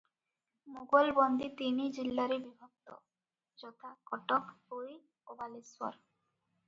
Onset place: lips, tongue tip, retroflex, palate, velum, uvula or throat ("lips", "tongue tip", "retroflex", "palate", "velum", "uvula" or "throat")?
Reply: lips